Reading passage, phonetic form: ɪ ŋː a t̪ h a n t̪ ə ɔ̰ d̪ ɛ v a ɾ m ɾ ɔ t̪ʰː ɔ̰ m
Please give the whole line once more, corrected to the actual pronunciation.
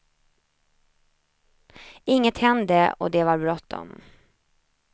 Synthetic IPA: ɪ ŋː ə t̪ h ɛ n d̪ ə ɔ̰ d̪ ɛ v a ɾ b ɾ ɔ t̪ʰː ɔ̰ m

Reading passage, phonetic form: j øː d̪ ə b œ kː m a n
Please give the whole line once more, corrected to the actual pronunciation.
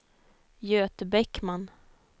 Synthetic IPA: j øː t̪ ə b ɛ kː m a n

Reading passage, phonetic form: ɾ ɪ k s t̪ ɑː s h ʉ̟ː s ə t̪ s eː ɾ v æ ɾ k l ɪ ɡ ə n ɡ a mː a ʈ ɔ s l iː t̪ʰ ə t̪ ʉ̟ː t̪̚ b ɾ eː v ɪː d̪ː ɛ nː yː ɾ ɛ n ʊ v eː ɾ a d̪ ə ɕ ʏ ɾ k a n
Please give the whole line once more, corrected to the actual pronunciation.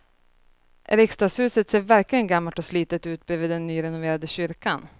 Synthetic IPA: ɾ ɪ k s t̪ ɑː s h ʉ̟ː s ə t̪ s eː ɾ v æ ɾ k l ɪ ɡ ə n ɡ a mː a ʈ ɔ s l iː t̪ ə t̪ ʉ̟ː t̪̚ b ɾ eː v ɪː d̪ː ɛ nː yː ɾ ɛ n ʊ v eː ɾ a d̪ ə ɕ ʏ ɾ k a n

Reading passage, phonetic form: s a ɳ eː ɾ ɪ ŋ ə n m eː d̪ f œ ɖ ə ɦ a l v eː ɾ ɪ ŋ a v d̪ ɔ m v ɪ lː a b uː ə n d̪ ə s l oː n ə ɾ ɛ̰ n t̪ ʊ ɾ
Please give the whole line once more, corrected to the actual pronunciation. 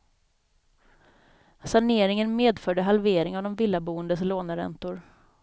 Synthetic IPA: s a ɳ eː ɾ ɪ ŋ ə n m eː d̪ f œ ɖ ə ɦ a l v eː ɾ ɪ ŋ a v d̪ ɔ m v ɪ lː a b uː ə n d̪ ə s l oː n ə ɾ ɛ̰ n t̪ ʊ ɾ

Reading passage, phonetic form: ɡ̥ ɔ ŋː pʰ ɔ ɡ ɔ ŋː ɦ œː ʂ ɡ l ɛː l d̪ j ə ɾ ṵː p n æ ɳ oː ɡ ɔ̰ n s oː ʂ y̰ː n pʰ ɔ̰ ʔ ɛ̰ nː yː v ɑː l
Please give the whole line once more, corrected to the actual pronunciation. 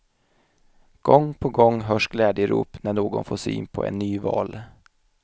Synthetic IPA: ɡ̥ ɔ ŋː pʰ ɔ ɡ ɔ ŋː ɦ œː ʂ ɡ l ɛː d̪ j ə ɾ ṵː p n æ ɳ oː ɡ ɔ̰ n f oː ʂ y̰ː n pʰ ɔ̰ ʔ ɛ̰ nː yː v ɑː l

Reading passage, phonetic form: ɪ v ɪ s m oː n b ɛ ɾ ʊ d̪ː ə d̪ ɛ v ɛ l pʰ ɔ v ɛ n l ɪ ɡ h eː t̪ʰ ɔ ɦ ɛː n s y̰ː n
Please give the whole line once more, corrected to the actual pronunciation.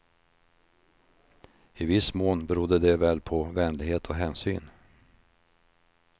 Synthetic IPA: ɪ v ɪ s m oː n b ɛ ɾ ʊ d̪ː ə d̪ ɛ v ɛ l pʰ ɔ v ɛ n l ɪ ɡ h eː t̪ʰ ɔ ɦ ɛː n s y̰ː n

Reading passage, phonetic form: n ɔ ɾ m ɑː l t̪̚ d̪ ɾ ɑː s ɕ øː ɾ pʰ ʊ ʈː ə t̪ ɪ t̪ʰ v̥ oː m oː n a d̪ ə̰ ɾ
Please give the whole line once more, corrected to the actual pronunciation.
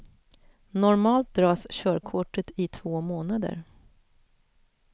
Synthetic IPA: n ɔ ɾ m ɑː l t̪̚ d̪ ɾ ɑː s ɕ œː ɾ kʰ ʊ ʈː ə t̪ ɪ t̪ʰ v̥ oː m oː n a d̪ ə̰ ɾ

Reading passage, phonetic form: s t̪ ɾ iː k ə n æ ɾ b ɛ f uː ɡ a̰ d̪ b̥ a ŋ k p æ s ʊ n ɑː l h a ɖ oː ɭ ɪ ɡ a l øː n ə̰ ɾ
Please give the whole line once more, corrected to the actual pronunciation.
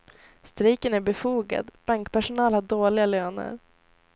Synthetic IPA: s t̪ ɾ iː k ə n æ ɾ b ɛ f uː ɡ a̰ d̪ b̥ a ŋ k p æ ʂ ʊ n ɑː l h a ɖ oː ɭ ɪ ɡ a l øː n ə̰ ɾ

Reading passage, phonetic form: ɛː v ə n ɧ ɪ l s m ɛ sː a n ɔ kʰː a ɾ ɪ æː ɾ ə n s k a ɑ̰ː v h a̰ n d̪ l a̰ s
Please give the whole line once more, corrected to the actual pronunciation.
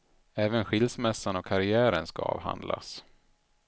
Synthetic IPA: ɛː v ə n ɧ ɪ l s m ɛ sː a n ɔ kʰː a ɾ ɪ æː ɾ ə n s k a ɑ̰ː v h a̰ n d̪ l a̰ s

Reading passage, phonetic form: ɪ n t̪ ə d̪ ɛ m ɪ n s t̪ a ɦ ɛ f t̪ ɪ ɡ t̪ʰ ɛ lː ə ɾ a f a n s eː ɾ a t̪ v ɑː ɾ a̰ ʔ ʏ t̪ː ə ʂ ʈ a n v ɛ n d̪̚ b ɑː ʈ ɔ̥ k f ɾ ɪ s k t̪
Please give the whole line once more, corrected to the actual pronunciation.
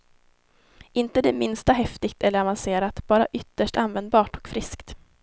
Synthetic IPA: ɪ n t̪ ə d̪ ɛ m ɪ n s t̪ a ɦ ɛ f t̪ ɪ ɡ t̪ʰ ɛ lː ə ɾ a v a n s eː ɾ a t̪ b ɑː ɾ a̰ ʔ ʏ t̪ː ə ʂ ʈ a n v ɛ n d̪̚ b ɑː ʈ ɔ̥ k f ɾ ɪ s k t̪

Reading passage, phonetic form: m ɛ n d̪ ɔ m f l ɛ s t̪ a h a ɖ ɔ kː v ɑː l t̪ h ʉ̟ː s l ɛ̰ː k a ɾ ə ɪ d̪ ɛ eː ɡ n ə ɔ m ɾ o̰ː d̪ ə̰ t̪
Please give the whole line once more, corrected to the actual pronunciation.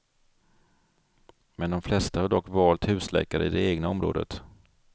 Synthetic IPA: m ɛ n d̪ ɔ m f l ɛ s t̪ a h a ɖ ɔ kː v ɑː l t̪ h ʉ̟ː s l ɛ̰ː k a ɾ ə ɪ d̪ ɛ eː ɡ n a ɔ m ɾ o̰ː d̪ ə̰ t̪

